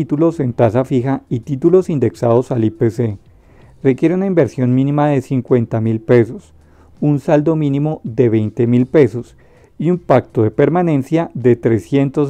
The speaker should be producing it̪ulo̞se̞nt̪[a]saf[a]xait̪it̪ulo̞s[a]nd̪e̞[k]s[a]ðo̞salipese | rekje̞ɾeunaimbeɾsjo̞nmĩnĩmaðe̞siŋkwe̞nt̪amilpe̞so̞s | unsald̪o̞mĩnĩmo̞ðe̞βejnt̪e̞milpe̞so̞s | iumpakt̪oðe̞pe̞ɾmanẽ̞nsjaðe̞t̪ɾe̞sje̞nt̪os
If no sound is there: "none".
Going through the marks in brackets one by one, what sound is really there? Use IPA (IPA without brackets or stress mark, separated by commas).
a, i, i, k, a